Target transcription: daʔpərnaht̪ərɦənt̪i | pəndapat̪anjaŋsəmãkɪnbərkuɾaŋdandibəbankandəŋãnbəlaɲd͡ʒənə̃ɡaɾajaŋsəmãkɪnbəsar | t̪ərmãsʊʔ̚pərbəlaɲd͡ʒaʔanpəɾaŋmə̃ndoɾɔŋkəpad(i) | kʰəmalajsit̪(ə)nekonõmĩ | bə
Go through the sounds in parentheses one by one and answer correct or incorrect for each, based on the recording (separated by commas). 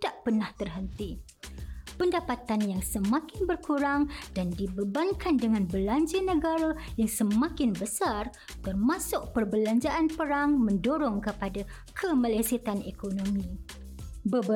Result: incorrect, incorrect